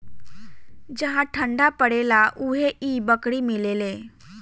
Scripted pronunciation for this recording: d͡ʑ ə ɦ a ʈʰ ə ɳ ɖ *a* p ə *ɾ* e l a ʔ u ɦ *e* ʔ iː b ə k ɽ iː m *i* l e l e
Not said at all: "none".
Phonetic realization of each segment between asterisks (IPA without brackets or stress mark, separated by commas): a, ɽ, e, i